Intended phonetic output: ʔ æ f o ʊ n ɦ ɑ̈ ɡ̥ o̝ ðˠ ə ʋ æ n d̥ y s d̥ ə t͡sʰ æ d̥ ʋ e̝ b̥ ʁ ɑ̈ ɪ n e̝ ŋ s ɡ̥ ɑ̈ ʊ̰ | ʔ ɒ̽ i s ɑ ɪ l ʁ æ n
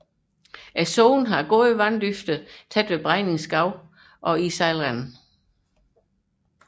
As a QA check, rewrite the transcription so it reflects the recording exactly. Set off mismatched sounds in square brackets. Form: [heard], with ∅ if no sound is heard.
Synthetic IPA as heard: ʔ æ [s] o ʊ n ɦ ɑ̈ ɡ̥ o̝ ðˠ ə ʋ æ n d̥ y [f] d̥ ə t͡sʰ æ d̥ ʋ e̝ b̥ ʁ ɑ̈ ɪ n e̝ ŋ s ɡ̥ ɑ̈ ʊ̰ | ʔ ɒ̽ i s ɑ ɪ l ʁ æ n